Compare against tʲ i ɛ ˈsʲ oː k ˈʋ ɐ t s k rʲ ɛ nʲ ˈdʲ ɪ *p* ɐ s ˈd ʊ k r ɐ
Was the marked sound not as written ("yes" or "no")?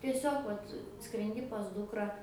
no